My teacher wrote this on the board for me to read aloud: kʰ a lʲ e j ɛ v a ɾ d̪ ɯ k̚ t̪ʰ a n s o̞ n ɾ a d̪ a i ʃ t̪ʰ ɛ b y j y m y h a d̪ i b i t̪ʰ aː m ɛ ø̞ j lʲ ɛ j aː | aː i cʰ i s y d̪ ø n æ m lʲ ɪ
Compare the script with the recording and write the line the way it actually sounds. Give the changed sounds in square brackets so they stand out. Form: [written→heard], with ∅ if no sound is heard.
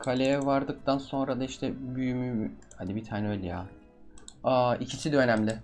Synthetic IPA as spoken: kʰ a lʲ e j ɛ v a ɾ d̪ ɯ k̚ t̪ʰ a n s o̞ n ɾ a d̪ a i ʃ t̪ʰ ɛ b y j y m y h a d̪ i b i t̪ʰ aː [m→n] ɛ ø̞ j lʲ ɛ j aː | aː i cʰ i s [y→i] d̪ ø n æ m lʲ ɪ